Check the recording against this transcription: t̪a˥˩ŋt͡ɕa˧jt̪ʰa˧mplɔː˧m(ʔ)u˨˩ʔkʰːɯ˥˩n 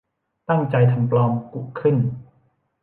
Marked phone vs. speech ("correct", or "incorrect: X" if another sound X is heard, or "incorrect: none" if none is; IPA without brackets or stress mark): incorrect: k